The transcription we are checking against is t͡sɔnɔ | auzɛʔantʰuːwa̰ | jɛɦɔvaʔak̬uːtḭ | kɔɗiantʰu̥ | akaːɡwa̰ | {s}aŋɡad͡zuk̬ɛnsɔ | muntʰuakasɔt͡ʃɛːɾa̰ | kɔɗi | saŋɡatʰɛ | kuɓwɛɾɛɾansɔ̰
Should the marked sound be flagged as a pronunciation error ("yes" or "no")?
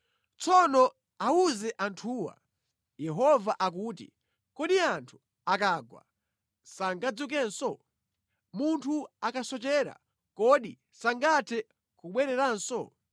no